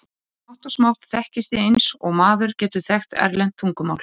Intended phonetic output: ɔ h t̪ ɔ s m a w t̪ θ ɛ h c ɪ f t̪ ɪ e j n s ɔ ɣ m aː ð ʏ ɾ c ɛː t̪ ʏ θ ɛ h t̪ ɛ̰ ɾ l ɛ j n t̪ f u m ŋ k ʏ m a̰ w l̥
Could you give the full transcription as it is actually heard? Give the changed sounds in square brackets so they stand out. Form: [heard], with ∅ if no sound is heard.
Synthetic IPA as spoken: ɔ h t̪ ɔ s m a w t̪ θ ɛ h c ɪ [s] t̪ ɪ e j n s ɔ ɣ m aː ð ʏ ɾ c ɛː t̪ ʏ θ ɛ [x] t̪ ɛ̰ ɾ l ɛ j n t̪ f u [∅] ŋ k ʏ m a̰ w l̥